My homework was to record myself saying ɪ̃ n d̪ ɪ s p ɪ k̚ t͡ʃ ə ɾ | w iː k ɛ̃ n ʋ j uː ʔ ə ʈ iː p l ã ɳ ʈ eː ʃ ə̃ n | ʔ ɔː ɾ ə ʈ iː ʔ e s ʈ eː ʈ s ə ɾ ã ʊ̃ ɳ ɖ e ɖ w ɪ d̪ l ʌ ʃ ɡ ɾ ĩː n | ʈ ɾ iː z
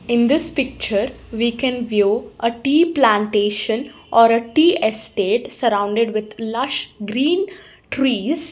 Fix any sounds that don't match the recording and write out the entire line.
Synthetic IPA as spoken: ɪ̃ n d̪ ɪ s p ɪ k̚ t͡ʃ ə ɾ | ʋ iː k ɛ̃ n ʋ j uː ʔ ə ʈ iː p l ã ɳ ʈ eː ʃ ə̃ n | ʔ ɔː ɾ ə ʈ iː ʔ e s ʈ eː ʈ s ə ɾ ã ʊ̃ ɳ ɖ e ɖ ʋ ɪ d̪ l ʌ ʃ ɡ ɾ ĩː n | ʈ ɾ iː z